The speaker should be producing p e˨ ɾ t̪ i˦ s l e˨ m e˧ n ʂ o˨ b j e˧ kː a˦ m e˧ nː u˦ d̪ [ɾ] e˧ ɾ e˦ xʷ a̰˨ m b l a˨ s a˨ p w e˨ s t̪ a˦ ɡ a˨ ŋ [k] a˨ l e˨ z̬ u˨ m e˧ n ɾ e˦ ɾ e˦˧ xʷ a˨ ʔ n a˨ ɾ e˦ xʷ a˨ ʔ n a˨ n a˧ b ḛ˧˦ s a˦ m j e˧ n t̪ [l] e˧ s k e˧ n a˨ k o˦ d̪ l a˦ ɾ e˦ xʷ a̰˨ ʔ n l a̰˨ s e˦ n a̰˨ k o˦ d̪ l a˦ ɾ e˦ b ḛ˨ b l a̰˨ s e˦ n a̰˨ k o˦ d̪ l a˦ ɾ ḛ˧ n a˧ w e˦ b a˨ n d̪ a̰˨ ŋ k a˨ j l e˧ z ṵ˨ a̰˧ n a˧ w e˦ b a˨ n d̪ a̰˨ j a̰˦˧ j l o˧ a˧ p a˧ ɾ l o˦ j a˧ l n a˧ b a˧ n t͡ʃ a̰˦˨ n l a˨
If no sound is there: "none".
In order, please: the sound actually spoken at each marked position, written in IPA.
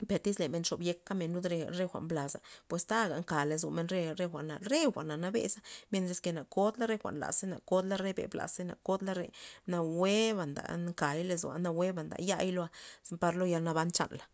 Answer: ɾ, k, ɾ

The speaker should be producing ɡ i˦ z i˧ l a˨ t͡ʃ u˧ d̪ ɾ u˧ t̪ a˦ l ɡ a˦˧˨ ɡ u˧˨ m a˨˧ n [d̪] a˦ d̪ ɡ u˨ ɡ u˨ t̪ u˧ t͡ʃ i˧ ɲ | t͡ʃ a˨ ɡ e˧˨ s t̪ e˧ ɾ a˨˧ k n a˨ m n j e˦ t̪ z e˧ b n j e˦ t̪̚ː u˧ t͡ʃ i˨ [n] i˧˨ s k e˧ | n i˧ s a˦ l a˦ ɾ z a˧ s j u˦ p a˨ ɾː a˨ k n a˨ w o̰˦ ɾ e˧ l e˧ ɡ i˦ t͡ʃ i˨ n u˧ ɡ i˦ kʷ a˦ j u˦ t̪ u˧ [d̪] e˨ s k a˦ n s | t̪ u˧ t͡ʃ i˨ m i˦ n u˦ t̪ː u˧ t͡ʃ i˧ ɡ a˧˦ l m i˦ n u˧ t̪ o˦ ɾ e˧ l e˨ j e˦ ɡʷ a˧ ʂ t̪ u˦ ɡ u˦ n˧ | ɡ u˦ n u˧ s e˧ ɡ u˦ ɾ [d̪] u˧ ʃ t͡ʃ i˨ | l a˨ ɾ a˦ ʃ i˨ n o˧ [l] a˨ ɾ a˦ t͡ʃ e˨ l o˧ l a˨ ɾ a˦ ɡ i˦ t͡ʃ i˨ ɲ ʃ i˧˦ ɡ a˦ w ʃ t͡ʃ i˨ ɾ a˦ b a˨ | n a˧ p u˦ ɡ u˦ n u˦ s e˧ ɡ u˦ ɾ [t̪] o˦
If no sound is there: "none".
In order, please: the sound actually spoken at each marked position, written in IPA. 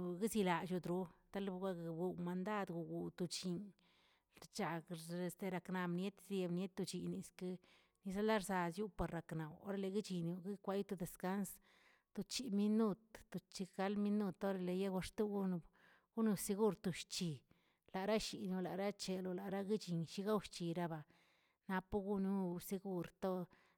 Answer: d̪, n, d̪, t̪, l, t̪

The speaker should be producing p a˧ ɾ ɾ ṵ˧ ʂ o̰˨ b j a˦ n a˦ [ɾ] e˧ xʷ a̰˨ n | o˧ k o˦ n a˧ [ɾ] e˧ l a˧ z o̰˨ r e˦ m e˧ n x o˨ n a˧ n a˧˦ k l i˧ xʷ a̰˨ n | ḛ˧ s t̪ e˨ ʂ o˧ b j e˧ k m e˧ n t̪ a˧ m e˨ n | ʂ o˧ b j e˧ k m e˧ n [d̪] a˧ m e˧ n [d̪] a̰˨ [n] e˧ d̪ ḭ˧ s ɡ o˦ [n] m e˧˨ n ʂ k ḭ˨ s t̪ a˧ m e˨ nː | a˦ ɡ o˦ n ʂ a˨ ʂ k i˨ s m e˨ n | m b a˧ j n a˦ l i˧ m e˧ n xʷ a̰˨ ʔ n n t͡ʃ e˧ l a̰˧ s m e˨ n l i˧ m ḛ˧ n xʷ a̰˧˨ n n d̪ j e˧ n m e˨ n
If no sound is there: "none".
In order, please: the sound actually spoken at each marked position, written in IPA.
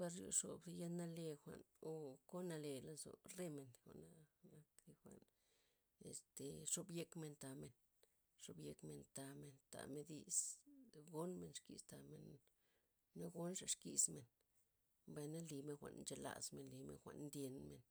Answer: l, l, t̪, t̪, m, n

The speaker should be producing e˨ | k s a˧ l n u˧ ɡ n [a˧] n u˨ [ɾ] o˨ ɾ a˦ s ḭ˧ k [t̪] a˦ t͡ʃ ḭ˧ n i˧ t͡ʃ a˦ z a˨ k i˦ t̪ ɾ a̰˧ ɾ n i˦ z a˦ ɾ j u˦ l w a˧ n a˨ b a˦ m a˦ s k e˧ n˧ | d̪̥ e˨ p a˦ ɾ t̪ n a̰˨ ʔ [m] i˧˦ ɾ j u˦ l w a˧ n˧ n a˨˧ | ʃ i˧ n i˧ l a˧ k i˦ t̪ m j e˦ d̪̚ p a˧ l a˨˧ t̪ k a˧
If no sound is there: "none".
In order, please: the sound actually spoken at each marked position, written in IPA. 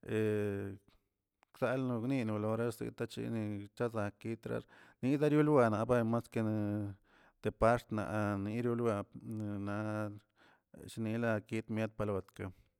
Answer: i˧, l, t̪, n

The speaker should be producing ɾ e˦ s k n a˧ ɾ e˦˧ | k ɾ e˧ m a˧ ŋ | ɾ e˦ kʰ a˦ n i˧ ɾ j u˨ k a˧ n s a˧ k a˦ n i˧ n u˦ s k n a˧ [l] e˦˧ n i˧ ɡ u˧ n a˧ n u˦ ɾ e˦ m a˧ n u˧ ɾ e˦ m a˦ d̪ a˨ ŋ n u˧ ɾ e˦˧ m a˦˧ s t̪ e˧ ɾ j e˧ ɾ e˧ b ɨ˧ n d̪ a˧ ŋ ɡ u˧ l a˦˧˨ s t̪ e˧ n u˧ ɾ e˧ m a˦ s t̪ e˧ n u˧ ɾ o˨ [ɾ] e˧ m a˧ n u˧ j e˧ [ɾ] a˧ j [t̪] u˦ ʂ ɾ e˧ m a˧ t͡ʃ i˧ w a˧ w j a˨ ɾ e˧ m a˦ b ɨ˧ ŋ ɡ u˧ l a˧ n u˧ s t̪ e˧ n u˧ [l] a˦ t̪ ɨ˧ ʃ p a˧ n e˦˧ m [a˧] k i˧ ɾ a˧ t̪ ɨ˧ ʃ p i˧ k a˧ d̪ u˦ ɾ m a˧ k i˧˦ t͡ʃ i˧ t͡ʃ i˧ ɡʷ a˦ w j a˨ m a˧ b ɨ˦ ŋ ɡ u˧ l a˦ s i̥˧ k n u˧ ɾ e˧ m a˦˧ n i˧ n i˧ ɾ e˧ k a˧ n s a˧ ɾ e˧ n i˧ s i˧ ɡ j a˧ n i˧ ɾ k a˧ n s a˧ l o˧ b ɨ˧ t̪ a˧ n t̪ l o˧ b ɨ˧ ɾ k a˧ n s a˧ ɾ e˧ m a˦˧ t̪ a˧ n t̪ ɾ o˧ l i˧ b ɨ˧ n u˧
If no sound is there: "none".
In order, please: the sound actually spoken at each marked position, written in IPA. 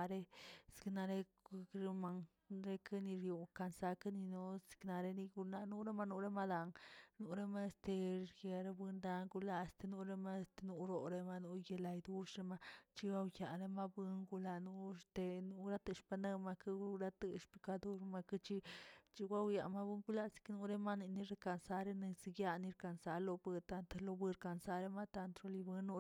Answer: ɾ, ɾ, l, d̪, ɾ, a˧

